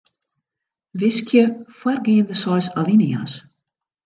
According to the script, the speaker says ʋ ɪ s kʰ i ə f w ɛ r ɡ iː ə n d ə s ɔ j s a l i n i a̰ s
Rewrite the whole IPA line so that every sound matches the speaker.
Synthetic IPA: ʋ ɪ s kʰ j ə f w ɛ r ɡ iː ə n d ə s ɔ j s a l i n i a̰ s